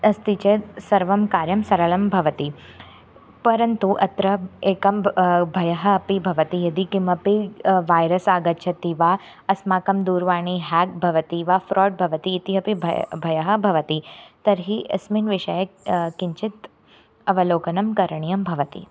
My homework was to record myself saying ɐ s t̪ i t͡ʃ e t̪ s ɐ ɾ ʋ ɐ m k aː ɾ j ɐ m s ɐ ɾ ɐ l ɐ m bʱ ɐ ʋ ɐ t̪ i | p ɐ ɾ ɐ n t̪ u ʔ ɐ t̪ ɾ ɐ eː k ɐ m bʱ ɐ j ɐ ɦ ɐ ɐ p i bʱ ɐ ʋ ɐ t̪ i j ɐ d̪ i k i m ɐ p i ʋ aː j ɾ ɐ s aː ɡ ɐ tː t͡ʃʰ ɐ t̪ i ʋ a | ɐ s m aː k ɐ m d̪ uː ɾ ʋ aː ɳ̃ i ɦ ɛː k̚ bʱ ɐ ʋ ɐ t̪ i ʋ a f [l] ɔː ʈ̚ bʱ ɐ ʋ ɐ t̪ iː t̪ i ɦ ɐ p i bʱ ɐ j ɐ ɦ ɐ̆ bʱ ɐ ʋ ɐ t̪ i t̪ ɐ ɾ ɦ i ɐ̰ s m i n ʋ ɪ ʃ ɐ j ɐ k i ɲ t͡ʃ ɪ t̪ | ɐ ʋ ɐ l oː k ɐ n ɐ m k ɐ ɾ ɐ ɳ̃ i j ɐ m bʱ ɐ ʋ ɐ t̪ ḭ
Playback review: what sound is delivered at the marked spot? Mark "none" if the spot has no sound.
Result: ɾ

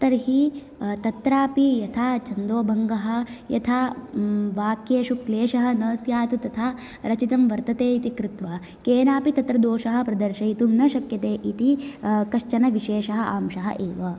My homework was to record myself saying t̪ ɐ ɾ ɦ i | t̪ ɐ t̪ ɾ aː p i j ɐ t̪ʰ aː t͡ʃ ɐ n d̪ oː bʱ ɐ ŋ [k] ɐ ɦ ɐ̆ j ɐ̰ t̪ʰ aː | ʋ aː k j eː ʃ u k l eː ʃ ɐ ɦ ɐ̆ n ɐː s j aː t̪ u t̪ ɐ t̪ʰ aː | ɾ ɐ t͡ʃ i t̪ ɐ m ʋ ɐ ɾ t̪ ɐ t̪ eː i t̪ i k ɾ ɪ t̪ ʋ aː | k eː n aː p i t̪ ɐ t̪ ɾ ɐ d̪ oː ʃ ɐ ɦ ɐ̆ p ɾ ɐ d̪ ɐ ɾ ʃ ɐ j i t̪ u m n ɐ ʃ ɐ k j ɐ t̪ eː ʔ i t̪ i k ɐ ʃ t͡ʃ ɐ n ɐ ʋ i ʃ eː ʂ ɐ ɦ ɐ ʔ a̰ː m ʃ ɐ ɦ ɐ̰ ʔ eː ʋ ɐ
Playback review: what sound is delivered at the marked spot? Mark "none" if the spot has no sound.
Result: ɡ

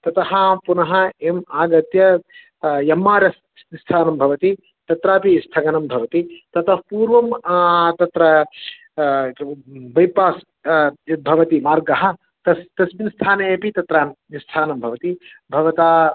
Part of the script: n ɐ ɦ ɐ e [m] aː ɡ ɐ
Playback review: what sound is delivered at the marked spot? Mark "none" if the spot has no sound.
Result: m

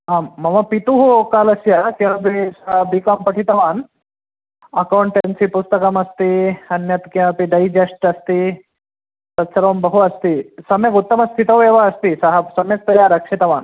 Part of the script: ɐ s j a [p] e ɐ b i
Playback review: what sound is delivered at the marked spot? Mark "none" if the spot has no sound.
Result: k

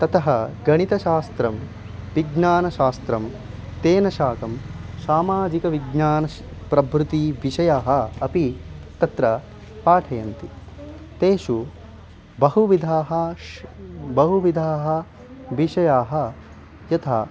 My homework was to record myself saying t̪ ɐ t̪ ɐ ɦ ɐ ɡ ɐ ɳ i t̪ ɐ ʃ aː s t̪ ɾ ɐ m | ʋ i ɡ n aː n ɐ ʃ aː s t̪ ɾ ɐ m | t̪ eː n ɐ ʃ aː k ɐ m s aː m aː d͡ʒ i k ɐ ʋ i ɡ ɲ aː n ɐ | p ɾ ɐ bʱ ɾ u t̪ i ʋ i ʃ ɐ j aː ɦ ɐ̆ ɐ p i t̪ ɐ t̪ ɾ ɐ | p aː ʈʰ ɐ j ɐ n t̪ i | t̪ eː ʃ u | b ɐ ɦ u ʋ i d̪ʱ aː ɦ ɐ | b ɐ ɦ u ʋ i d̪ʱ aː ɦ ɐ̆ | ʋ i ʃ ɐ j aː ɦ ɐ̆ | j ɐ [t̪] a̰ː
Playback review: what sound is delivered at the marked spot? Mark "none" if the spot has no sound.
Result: t̪ʰ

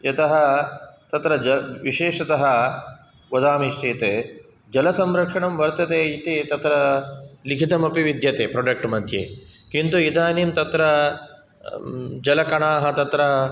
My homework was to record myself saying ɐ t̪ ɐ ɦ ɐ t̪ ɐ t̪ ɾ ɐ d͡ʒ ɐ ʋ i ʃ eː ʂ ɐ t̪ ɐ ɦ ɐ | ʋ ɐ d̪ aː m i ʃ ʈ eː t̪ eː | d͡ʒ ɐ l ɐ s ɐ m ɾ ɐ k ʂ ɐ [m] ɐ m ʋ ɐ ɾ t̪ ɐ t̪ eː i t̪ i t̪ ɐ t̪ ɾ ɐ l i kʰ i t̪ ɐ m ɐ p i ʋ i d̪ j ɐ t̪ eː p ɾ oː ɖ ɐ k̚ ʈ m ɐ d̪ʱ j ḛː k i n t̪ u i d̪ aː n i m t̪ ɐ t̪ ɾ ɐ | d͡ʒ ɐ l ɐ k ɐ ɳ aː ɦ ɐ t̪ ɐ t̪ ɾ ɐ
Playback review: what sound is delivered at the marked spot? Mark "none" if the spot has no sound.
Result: ɳ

